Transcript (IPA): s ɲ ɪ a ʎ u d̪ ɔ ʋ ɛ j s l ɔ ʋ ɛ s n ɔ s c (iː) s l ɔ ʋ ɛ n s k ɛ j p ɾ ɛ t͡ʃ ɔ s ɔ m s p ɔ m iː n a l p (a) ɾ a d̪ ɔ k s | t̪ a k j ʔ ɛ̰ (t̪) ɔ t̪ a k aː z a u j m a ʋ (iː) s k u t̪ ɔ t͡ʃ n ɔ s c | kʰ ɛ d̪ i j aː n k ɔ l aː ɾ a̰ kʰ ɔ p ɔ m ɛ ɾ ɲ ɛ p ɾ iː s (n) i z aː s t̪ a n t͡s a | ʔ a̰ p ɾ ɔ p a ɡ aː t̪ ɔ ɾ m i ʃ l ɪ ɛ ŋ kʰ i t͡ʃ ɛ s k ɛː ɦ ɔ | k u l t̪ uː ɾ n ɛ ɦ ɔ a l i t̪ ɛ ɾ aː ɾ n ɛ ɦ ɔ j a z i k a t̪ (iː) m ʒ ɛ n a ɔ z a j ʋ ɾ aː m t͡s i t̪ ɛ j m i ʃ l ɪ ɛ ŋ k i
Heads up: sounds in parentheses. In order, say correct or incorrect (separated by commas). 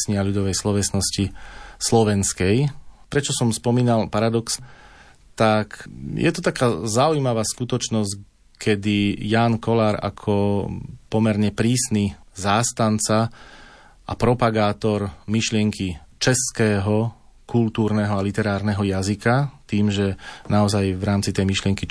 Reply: incorrect, correct, correct, incorrect, correct, correct